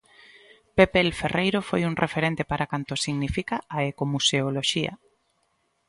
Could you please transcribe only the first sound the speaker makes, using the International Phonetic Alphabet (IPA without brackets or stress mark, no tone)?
p